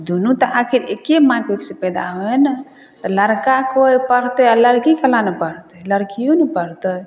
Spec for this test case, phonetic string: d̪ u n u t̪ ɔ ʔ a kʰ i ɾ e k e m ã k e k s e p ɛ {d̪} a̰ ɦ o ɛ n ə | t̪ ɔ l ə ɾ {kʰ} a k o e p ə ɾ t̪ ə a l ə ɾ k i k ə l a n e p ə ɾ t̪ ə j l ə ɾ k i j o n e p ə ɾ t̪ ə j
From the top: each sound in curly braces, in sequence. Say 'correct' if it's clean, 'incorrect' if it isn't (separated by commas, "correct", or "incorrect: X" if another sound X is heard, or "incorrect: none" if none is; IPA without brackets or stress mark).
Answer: correct, incorrect: k